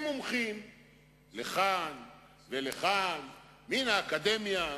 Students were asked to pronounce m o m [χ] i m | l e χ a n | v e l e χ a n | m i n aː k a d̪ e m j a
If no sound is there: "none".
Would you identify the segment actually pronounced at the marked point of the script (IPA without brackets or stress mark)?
χ